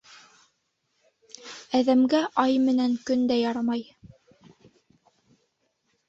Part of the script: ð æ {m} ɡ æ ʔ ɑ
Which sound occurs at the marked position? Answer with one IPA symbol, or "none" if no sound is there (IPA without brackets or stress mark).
m